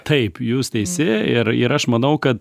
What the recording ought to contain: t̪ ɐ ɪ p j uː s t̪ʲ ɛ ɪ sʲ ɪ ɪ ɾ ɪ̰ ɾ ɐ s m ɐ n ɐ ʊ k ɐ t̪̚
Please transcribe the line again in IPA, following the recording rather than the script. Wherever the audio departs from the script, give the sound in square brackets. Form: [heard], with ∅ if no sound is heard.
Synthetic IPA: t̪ ɐ ɪ p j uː s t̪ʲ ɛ ɪ sʲ ɪ ɪ ɾ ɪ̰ ɾ ɐ [ʃ] m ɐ n ɐ ʊ k ɐ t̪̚